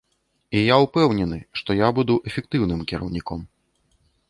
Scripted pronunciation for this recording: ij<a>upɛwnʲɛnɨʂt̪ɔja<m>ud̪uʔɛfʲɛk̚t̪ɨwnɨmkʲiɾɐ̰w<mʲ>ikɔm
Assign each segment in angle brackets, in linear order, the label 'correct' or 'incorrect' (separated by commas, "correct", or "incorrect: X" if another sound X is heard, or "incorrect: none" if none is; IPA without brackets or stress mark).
correct, incorrect: b, incorrect: nʲ